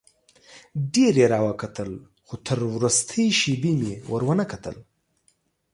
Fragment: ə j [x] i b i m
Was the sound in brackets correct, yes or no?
no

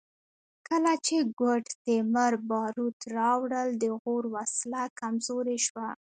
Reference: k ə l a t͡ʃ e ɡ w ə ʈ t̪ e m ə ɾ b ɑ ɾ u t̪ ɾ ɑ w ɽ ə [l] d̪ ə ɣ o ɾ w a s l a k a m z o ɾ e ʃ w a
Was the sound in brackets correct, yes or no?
yes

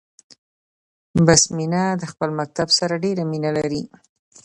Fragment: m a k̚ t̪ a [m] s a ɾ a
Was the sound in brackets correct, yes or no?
no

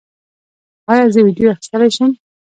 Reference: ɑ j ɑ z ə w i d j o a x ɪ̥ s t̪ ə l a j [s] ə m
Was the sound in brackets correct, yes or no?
no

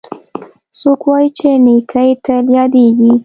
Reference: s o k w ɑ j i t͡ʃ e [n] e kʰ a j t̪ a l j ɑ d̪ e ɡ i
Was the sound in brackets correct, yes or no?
yes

